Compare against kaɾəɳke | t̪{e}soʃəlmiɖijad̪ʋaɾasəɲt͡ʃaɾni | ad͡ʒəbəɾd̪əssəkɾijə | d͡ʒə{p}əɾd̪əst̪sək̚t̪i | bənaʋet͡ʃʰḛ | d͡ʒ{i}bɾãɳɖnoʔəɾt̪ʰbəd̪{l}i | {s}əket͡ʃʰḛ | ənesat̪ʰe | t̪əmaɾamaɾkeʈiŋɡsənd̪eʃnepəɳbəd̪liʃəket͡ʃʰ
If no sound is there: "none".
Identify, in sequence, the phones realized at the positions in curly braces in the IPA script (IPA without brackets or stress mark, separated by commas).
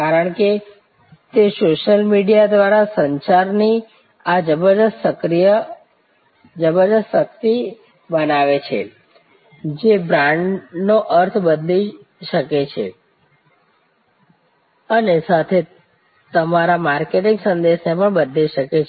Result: e, b, e, l, ʃ